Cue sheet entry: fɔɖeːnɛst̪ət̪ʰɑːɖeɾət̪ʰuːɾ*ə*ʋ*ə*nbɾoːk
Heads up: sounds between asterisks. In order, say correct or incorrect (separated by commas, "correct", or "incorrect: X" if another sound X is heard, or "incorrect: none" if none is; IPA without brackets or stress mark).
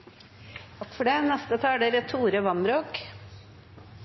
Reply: correct, incorrect: ɑ